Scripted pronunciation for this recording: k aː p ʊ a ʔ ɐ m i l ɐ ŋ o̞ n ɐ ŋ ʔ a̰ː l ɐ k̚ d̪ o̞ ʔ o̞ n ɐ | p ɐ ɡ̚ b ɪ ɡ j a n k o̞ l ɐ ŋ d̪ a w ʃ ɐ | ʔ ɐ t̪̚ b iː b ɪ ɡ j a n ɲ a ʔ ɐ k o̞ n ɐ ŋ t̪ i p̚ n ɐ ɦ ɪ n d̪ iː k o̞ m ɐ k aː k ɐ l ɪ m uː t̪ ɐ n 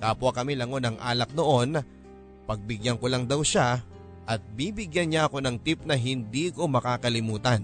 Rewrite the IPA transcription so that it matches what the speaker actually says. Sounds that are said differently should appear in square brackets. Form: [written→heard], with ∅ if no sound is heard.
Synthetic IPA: k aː p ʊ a [ʔ→k] ɐ m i l ɐ ŋ o̞ n ɐ ŋ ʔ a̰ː l ɐ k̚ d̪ o̞ ʔ o̞ n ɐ | p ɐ ɡ̚ b ɪ ɡ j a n k o̞ l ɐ ŋ d̪ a w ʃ [ɐ→a] | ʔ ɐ t̪̚ b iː b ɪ ɡ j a n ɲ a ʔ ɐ k o̞ n ɐ ŋ t̪ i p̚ n ɐ ɦ ɪ n d̪ iː k o̞ m ɐ k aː k ɐ l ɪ m uː t̪ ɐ n